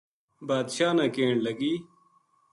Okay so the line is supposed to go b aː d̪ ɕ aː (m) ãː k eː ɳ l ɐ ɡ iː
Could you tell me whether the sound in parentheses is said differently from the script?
yes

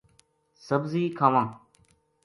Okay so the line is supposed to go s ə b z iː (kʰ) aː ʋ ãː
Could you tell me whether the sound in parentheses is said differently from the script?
no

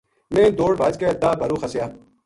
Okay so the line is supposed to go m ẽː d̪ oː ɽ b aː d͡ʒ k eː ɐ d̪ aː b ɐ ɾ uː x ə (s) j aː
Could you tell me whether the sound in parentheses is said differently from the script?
no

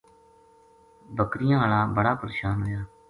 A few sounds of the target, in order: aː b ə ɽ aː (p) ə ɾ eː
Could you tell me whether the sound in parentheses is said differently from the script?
no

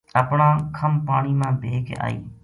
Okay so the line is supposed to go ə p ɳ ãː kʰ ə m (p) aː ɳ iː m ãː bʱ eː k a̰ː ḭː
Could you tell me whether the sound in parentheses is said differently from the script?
no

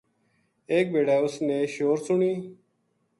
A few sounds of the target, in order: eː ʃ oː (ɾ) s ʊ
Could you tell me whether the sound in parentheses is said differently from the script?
no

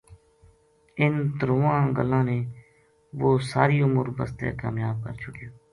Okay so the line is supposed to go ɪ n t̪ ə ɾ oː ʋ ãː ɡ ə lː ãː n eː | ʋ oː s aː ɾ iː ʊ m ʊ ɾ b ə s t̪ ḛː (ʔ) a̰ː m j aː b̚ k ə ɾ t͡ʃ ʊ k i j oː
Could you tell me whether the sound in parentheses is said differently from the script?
yes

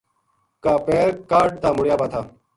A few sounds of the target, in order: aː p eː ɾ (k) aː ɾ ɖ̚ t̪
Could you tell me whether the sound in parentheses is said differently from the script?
no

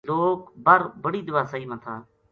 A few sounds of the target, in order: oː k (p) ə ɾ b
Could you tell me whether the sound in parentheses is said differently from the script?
yes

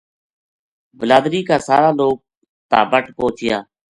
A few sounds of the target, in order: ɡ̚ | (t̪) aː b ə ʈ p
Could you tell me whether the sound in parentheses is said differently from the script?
no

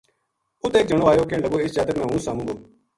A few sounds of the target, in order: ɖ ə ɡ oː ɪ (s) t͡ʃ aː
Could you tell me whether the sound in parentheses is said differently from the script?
no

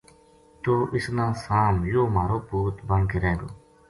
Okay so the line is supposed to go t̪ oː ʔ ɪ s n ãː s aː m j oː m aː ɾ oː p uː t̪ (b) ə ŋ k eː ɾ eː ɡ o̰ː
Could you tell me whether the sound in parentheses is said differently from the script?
no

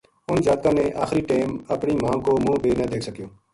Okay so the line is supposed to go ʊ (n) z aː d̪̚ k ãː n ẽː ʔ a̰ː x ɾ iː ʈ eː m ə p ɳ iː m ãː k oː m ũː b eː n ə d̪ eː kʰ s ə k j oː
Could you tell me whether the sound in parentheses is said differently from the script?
no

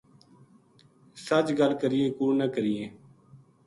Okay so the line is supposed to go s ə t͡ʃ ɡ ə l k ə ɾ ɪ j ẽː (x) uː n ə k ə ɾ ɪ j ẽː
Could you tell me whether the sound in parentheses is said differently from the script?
yes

